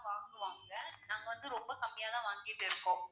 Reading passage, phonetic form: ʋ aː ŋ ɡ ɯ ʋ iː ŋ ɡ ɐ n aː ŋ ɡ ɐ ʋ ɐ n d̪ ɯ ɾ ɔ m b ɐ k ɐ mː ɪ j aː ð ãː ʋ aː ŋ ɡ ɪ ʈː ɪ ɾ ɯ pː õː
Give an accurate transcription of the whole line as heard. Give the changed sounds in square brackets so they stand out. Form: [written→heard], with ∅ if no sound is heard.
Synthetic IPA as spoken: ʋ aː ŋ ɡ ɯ ʋ [iː→aː] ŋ ɡ ɐ n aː ŋ ɡ ɐ ʋ ɐ n d̪ ɯ ɾ ɔ m b ɐ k ɐ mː ɪ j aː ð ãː ʋ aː ŋ ɡ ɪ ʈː ɪ ɾ ɯ [pː→kː] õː